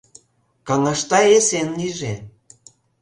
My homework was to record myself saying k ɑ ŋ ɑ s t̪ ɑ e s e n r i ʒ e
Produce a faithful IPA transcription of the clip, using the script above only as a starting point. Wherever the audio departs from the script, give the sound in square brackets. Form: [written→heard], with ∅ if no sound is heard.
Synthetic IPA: k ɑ ŋ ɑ [s→ʃ] t̪ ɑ e s e n [r→l] i ʒ e